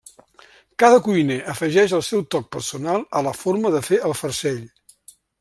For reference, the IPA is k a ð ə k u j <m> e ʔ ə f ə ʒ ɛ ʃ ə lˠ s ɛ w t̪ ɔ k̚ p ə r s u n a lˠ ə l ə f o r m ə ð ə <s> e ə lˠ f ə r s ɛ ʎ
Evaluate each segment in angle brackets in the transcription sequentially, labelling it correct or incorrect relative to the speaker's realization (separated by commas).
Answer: incorrect, incorrect